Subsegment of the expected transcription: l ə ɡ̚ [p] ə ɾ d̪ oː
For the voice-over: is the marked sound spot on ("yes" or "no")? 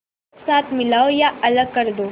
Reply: no